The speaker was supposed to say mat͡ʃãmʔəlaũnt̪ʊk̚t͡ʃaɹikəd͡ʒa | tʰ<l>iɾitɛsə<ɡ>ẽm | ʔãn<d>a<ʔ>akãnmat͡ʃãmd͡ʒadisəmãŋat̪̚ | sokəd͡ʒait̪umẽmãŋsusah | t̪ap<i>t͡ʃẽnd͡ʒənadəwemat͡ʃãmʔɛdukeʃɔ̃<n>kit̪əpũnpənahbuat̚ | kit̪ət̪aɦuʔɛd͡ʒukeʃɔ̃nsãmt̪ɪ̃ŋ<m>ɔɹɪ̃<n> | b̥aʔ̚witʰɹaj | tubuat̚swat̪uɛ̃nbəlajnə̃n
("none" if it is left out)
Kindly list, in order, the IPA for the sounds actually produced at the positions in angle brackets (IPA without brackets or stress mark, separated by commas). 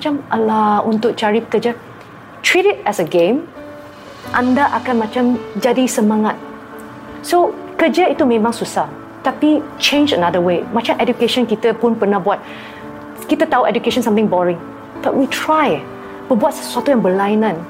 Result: ɹ, ɡ, d, ʔ, i, n, b, ŋ